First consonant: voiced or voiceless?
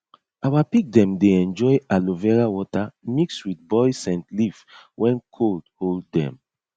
voiced